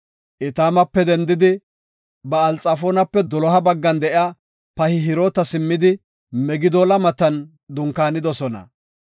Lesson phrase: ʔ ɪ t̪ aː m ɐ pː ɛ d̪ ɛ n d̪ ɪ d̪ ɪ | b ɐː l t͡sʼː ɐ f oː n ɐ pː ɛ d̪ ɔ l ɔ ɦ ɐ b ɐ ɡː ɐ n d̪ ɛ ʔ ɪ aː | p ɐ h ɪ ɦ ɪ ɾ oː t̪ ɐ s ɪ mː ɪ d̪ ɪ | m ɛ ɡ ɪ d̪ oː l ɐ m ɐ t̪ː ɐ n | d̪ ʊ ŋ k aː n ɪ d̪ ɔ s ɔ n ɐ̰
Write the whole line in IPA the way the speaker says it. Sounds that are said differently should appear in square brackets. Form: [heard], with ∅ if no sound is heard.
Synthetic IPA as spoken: ʔ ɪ t̪ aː m ɐ pː ɛ d̪ ɛ n d̪ ɪ d̪ ɪ | b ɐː l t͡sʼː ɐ f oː n ɐ pː ɛ d̪ ɔ l ɔ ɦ ɐ b ɐ ɡː ɐ n d̪ ɛ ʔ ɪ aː | p ɐ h ɪ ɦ ɪ ɾ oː t̪ ɐ s ɪ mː ɪ d̪ ɪ | m ɛ ɡ ɪ d̪ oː l ɐ m ɐ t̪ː ɐ n | d̪ ʊ ŋ k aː n ɪ d̪ ɔ s ɔ n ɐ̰